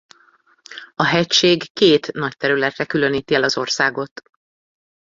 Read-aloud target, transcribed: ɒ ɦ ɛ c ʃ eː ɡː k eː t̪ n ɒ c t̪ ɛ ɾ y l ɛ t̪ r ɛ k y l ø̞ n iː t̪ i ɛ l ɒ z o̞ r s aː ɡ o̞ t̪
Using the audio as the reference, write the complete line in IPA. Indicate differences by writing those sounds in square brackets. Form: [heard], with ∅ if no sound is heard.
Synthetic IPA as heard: ɒ ɦ ɛ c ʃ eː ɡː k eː t̪ n ɒ c t̪ ɛ ɾ y l ɛ t̪ r ɛ k y l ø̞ n iː t̪ i ɛ l ɒ z o̞ r s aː ɡ o̞ t̪